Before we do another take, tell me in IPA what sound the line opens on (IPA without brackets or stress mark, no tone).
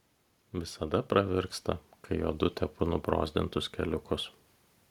ʋʲ